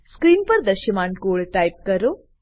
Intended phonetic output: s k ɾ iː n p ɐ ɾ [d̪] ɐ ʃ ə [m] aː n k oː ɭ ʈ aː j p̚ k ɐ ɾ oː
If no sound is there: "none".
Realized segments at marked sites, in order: d̪, m

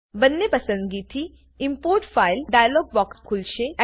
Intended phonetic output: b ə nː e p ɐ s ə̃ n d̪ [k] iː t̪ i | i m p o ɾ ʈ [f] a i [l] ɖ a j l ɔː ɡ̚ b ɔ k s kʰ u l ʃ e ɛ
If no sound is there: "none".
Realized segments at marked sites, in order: ɡ, f, l

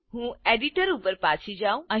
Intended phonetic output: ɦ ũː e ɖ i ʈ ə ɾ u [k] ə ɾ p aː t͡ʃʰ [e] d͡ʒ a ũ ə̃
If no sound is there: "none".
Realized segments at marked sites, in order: p, i

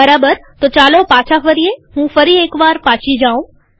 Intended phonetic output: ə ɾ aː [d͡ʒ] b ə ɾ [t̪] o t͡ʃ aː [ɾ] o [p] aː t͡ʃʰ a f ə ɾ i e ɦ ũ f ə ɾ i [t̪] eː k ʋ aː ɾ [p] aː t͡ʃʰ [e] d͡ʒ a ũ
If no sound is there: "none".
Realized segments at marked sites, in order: none, t̪, l, p, none, p, i

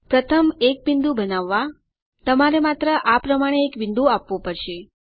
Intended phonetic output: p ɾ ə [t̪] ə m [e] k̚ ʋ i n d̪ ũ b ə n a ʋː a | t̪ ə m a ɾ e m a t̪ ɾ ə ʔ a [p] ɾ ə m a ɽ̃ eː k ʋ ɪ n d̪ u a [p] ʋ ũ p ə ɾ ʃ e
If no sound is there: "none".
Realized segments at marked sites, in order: t̪ʰ, e, p, p

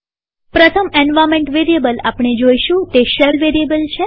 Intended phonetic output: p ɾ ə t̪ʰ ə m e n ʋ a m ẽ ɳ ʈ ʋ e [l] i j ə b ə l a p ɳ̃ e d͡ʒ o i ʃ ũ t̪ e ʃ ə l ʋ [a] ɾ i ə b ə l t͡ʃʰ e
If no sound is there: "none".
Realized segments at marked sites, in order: ɾ, e

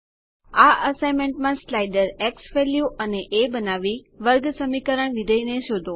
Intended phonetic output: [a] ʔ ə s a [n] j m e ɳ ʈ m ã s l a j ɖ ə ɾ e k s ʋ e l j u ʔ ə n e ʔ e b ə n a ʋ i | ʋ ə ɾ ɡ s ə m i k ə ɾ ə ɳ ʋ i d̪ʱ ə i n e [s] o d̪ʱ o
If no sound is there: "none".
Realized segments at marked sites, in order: a, none, ʃ

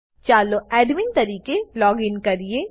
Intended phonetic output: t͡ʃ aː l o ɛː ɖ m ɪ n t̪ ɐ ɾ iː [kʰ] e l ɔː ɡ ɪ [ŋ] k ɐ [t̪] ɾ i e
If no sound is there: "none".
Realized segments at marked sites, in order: k, n, none

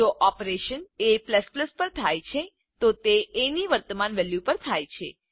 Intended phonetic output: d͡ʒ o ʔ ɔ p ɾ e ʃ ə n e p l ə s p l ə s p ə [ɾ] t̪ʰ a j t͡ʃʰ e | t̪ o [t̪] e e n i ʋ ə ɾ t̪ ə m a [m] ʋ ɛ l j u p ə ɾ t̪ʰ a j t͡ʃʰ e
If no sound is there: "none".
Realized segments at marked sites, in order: ɾ, t̪, n

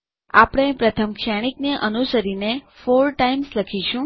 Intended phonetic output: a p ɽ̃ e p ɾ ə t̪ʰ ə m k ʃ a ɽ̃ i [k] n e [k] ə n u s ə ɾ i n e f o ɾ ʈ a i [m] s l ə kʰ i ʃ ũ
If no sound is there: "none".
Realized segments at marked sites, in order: k, ʔ, m

